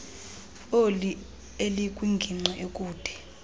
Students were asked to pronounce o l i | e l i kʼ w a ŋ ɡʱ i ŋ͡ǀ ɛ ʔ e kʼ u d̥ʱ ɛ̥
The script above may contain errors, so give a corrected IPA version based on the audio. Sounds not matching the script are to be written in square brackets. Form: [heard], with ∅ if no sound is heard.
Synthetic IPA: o l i | e l i kʼ w [i] ŋ ɡʱ i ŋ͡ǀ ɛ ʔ e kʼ [uː] d̥ʱ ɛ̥